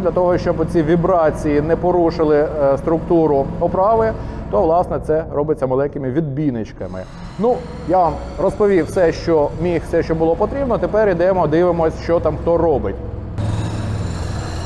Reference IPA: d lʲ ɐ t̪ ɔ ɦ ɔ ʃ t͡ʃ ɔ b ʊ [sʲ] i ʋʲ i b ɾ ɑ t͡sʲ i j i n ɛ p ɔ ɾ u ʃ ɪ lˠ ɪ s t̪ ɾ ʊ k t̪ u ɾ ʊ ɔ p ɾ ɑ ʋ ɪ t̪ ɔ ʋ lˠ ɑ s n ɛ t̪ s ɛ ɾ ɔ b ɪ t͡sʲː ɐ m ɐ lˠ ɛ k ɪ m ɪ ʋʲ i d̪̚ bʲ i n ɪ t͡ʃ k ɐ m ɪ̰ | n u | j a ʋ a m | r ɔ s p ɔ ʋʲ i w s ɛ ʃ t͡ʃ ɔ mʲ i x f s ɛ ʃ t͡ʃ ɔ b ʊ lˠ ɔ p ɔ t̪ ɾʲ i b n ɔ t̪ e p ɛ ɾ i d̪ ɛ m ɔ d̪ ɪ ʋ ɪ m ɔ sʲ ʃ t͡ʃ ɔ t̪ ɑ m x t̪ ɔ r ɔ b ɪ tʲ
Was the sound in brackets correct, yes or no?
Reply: no